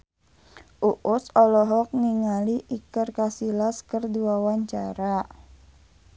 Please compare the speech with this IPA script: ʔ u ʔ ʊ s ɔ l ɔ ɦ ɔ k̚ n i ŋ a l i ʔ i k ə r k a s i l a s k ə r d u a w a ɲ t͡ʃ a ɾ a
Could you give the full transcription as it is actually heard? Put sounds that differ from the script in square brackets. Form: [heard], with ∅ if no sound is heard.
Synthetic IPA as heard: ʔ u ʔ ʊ s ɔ l ɔ ɦ ɔ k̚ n i ŋ a l i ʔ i k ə r k a s i l a s k ə r d u a w a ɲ t͡ʃ a ɾ a